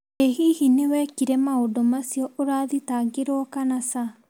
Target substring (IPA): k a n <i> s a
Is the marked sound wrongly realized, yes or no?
yes